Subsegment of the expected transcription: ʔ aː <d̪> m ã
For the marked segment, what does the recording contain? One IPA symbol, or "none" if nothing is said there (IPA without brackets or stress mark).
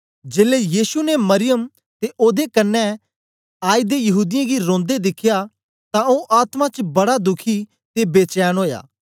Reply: t̪